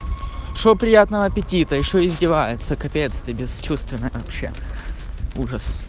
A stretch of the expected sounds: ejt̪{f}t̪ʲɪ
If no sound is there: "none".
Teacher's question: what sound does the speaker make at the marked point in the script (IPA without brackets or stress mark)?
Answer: s